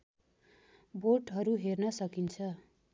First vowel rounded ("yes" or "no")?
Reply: yes